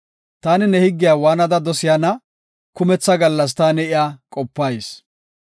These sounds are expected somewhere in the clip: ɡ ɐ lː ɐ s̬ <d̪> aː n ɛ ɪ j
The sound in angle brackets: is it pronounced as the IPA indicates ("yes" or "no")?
no